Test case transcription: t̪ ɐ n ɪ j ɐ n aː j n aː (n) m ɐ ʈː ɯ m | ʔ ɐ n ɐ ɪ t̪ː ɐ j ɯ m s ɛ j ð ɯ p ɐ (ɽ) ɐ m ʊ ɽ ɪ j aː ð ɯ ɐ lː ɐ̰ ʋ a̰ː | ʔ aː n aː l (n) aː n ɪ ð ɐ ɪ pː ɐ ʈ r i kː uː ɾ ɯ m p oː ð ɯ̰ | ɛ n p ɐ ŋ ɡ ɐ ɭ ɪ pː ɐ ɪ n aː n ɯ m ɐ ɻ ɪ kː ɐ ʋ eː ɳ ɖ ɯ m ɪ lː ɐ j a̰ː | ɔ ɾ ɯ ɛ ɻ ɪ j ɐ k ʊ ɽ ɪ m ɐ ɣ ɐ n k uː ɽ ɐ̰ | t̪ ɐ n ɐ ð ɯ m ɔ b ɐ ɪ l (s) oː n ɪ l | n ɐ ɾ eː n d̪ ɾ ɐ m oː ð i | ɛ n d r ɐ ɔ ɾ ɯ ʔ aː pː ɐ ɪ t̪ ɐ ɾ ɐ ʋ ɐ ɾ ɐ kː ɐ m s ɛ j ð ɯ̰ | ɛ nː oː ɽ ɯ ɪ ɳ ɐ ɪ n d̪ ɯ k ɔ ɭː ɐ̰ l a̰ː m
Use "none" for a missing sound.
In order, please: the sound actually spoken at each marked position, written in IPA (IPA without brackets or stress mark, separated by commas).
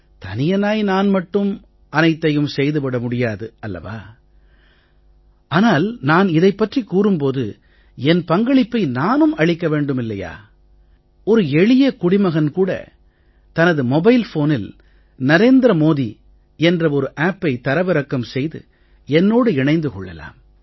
n, ɽ, n, f